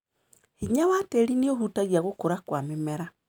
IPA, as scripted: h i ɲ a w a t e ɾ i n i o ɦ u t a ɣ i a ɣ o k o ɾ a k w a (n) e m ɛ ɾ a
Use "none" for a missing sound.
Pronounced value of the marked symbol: m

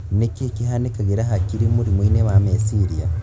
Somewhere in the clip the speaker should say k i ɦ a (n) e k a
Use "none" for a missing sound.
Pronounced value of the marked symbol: n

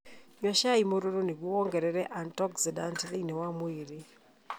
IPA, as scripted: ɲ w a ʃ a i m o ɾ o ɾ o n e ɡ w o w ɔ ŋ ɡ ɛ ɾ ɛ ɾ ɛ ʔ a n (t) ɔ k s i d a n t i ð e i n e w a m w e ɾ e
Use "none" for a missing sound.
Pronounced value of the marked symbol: t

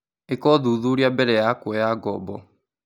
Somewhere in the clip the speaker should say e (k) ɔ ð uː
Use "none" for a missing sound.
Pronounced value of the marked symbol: k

